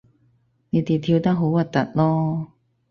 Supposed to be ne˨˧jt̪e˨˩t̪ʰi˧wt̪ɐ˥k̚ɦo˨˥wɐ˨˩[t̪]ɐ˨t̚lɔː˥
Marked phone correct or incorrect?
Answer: correct